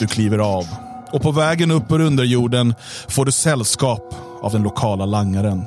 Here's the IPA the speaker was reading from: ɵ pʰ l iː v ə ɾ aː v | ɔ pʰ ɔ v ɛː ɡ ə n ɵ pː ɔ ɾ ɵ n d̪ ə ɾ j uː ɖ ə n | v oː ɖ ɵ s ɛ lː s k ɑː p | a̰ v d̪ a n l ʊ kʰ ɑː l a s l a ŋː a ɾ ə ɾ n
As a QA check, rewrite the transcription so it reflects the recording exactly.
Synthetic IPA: ɵ kʰ l iː v ə ɾ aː v | ɔ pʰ ɔ v ɛː ɡ ə n ɵ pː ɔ ɾ ɵ n d̪ ə ɾ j uː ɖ ə n | f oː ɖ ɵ s ɛ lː s k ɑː p | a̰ v d̪ ɛ n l ʊ kʰ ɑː l a l a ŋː a ɾ ə n